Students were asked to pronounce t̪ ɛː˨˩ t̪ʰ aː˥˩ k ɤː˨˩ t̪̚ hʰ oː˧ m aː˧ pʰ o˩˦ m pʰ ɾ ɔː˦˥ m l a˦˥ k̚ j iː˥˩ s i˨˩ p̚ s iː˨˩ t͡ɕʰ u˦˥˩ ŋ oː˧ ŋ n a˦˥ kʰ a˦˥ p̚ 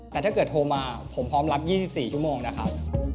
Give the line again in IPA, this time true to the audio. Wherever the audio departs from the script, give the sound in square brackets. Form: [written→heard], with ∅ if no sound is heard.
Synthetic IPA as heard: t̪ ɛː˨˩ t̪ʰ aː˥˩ k ɤː˨˩ t̪̚ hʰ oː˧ m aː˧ pʰ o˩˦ m pʰ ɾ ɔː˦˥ m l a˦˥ [k̚→p̚] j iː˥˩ s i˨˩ p̚ s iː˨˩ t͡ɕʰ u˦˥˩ [ŋ→m] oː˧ ŋ n a˦˥ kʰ a˦˥ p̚